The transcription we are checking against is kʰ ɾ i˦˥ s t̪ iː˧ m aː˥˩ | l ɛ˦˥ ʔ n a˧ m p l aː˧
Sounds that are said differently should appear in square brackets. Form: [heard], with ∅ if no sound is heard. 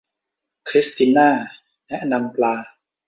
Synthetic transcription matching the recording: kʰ ɾ i˦˥ s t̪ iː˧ [n] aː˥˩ | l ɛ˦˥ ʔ n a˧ m p l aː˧

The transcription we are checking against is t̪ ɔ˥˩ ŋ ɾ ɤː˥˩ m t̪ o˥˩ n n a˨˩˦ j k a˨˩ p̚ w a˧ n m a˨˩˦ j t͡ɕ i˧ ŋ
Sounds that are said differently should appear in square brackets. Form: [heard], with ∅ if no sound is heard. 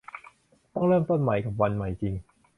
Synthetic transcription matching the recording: t̪ ɔ˥˩ ŋ ɾ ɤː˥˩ m t̪ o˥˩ n [m] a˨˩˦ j k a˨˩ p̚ w a˧ n m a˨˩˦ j t͡ɕ i˧ ŋ

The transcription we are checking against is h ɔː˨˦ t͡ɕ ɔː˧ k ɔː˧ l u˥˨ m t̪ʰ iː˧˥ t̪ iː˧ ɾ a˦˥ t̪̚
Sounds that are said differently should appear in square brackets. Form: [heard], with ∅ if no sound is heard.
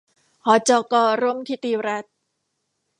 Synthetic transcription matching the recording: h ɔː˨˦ t͡ɕ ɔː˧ k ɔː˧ [ɾ] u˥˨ m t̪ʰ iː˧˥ t̪ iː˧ ɾ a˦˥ t̪̚

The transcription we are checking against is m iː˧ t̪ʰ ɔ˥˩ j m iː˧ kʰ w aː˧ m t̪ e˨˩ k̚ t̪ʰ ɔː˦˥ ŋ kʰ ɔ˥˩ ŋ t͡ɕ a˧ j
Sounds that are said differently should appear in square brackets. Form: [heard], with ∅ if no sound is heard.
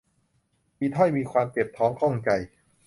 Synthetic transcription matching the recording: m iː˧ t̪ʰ ɔ˥˩ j m iː˧ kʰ w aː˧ m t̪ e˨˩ [p̚] t̪ʰ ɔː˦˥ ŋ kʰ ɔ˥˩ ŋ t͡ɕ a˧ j

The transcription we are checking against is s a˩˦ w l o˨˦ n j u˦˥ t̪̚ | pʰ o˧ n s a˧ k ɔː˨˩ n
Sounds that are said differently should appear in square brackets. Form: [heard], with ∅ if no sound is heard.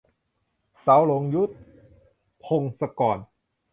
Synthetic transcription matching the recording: s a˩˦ w l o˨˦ [ŋ] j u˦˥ t̪̚ | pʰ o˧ [ŋ] s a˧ k ɔː˨˩ n

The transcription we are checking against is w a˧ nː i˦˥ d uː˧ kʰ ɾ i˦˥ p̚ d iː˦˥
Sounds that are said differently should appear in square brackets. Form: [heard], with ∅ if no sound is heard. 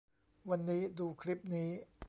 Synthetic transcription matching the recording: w a˧ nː [iː˦˥] d uː˧ kʰ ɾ i˦˥ p̚ [n] iː˦˥

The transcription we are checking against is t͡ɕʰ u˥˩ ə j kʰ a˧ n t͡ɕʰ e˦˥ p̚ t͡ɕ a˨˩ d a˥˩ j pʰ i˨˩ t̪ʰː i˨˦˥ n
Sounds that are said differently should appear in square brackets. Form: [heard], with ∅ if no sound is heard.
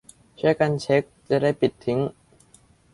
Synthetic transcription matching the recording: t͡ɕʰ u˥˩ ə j [k] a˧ n t͡ɕʰ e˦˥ [k̚] t͡ɕ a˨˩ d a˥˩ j [p] i˨˩ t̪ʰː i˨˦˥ [ŋ]

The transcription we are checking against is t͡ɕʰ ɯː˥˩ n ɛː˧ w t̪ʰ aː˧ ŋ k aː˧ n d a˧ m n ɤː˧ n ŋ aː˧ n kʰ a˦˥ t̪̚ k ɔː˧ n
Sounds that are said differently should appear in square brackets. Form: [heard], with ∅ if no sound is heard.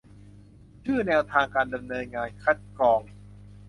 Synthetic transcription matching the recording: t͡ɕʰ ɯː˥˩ n ɛː˧ w t̪ʰ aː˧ ŋ k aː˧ n d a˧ m n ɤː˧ n ŋ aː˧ n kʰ a˦˥ t̪̚ k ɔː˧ [ŋ]

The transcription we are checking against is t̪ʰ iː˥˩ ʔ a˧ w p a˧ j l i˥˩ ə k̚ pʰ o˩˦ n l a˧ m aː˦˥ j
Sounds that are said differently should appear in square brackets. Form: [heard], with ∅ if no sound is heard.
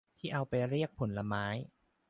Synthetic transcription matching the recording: t̪ʰ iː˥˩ ʔ a˧ w p a˧ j [ɾ] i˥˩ ə k̚ pʰ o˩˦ n l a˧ m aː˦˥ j

